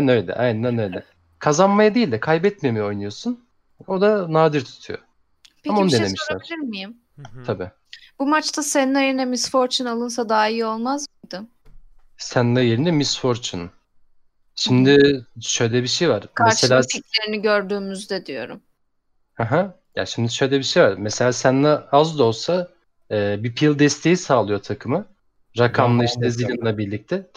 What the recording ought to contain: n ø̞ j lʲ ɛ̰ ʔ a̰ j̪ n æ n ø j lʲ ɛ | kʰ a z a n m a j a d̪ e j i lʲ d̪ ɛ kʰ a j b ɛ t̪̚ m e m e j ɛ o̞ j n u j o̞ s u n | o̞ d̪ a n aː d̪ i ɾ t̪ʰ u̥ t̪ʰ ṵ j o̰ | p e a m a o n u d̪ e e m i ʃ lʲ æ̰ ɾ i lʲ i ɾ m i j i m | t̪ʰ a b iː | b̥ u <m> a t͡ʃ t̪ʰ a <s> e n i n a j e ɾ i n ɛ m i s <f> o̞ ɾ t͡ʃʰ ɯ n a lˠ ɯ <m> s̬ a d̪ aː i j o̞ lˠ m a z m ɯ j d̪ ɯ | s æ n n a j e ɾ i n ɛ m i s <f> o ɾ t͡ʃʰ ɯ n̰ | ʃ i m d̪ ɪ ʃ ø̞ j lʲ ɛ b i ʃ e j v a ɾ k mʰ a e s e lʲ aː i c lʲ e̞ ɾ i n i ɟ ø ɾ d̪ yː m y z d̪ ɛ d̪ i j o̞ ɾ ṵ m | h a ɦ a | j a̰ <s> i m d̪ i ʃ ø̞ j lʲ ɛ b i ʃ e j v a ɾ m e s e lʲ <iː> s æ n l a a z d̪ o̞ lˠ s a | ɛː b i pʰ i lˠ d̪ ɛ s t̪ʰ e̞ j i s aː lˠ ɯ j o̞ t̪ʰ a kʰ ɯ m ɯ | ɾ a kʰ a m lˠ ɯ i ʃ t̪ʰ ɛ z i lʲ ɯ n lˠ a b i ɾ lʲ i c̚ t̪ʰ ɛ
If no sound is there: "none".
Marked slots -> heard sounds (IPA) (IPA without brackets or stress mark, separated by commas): m, s, f, n, f, ʃ, aː